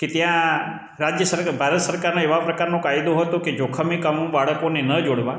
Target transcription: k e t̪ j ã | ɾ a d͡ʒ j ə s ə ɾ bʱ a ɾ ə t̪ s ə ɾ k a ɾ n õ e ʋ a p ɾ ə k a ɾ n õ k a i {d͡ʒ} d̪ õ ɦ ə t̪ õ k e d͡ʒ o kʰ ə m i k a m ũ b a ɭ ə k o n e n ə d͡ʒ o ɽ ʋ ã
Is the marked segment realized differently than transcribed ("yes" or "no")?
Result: yes